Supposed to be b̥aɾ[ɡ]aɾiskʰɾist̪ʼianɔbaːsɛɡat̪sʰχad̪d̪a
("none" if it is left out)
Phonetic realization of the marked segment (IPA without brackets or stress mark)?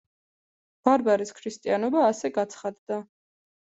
b